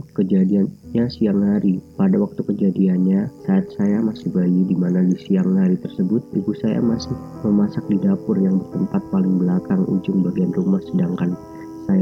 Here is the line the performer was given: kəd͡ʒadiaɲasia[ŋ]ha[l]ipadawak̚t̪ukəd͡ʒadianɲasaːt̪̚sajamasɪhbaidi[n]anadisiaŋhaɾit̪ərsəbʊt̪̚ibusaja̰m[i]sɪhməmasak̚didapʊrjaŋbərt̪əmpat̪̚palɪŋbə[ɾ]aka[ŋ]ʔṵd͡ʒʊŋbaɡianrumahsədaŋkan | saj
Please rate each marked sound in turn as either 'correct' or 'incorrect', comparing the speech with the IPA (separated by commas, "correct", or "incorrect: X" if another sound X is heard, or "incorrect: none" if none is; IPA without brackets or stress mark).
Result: correct, incorrect: ɾ, incorrect: m, incorrect: a, incorrect: l, correct